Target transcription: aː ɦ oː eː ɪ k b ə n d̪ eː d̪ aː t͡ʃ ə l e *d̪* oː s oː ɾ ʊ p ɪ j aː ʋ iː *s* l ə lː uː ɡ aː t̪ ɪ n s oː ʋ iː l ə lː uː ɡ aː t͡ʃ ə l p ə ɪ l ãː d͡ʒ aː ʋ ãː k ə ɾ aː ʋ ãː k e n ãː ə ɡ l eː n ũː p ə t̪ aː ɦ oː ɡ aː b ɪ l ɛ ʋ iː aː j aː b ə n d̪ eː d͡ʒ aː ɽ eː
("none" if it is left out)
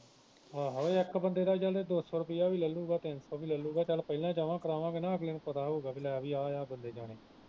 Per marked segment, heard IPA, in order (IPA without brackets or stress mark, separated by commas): d̪, none